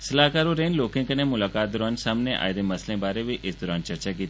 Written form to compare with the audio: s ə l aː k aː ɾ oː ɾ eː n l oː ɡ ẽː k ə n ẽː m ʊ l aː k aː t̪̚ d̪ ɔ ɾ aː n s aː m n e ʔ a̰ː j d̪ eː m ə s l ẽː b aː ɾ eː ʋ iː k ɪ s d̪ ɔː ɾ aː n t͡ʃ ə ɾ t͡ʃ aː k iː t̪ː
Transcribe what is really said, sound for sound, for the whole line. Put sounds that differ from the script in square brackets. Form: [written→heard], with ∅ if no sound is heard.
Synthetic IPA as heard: s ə l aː k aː ɾ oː ɾ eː n l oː [ɡ→k] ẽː k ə n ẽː m ʊ l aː k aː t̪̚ d̪ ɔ ɾ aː n s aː m n e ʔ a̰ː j d̪ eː m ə s l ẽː b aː ɾ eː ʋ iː [k→ʔ] ɪ s d̪ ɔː ɾ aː n t͡ʃ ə ɾ t͡ʃ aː k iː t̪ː